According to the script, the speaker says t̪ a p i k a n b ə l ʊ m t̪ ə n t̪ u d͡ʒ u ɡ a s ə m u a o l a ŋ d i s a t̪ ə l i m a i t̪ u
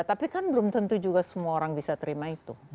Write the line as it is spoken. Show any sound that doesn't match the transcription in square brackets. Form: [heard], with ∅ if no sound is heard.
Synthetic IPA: t̪ a p i k a n b ə l ʊ m t̪ ə n t̪ u d͡ʒ u ɡ a s ə m u a o [ɾ] a ŋ [b] i s a t̪ ə [ɾ] i m a i t̪ u